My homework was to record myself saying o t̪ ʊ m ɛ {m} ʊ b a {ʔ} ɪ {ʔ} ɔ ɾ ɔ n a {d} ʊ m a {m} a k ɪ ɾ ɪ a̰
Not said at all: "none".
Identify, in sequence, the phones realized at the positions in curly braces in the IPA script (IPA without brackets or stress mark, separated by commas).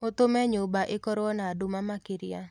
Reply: ɲ, ʔ, k, d, m